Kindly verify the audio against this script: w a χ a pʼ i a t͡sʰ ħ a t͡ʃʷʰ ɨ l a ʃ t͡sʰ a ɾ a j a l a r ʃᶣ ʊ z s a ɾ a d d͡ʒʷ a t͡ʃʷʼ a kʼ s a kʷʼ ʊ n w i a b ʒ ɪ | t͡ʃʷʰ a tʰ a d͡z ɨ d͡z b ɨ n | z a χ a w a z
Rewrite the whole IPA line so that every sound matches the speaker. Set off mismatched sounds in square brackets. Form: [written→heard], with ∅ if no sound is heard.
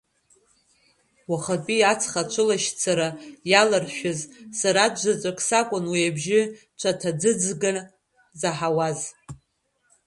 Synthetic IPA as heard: w a χ a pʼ i a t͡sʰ [ħ→χ] a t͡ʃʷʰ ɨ l a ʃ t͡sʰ a ɾ a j a l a r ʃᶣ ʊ z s a ɾ a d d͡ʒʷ a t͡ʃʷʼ a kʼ s a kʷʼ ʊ n w i a b ʒ ɪ | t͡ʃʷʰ a tʰ a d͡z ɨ d͡z [b→ɡ] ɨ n | z a [χ→ħ] a w a z